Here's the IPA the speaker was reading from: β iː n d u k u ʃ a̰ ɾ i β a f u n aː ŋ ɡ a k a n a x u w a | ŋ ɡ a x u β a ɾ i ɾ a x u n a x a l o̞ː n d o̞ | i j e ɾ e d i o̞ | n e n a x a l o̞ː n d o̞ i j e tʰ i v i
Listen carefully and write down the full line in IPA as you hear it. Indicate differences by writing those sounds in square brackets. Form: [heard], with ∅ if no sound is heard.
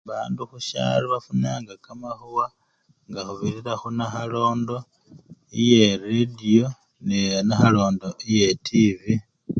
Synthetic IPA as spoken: β [aː] n d u [x] u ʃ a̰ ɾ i β a f u n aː ŋ ɡ a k a [m] a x u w a | ŋ ɡ a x u β [i] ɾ i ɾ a x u n a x a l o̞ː n d o̞ | i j e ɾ e d i o̞ | n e n a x a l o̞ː n d o̞ i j e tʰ i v i